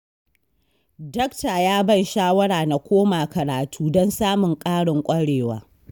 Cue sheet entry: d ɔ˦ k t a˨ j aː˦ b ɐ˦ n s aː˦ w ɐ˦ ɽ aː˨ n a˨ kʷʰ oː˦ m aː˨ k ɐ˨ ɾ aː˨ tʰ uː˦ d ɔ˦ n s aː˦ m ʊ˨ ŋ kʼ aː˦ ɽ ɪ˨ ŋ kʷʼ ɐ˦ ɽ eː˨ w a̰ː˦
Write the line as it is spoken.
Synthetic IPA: d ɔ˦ k t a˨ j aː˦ b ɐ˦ n ʃ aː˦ w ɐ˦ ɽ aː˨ n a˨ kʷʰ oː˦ m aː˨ k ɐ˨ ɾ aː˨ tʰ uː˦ d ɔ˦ n s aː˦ m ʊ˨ ŋ kʼ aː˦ ɽ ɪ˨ ŋ kʷʼ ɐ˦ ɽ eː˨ w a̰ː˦

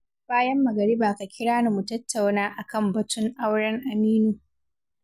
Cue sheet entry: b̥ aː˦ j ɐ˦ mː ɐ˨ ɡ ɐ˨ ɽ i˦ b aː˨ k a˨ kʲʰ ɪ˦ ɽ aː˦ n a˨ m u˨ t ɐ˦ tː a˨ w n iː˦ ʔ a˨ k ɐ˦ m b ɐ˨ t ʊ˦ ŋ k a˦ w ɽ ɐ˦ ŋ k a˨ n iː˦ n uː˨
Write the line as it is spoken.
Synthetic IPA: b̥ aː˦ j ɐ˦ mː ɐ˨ ɡ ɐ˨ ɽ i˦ b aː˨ k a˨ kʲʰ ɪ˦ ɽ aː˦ n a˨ m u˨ t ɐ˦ tː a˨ w n aː˦ ʔ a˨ k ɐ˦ m b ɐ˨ t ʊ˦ ŋ ʔ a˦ w ɽ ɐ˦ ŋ ʔ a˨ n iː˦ n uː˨

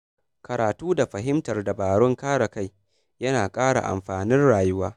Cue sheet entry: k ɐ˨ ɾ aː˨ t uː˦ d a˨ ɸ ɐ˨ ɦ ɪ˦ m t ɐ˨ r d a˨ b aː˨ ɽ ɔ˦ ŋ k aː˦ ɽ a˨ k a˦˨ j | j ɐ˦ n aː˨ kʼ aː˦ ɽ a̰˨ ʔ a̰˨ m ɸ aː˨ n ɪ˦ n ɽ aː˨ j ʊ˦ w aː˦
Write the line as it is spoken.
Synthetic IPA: k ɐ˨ ɾ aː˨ t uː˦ d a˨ ɸ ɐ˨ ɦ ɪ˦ m t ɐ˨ r d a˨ b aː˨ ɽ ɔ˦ ŋ k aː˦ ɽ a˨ k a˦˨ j | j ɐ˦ n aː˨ kʼ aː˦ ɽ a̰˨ ʔ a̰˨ m ɸ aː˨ n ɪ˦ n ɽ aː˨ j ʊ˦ w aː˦

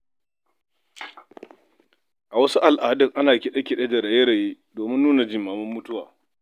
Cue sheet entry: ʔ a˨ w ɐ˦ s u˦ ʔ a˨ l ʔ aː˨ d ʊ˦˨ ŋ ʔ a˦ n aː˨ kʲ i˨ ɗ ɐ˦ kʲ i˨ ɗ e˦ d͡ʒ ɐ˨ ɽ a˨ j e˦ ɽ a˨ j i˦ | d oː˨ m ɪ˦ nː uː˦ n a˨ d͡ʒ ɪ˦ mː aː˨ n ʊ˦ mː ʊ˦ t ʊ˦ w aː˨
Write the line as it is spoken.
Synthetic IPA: ʔ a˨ w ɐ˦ s u˦ ʔ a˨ l ʔ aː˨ d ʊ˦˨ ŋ ʔ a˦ n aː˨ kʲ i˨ ɗ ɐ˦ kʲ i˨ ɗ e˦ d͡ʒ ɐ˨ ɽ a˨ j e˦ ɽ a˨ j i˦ | d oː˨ m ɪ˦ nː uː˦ n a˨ d͡ʒ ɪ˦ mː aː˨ m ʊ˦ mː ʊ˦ t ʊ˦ w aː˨

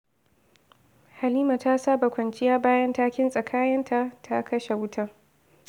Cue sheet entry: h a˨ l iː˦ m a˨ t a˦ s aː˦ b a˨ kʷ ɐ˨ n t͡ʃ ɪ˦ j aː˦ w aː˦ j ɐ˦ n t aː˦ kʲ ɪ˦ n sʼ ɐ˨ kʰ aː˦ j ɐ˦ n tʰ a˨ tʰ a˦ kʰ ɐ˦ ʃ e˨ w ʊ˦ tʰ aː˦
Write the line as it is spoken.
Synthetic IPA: h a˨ l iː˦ m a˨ t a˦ s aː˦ b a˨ kʷ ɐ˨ n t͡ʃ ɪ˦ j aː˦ b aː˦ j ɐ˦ n t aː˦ kʲ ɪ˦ n sʼ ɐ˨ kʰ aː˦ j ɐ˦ n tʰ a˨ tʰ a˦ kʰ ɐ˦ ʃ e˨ w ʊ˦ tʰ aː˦

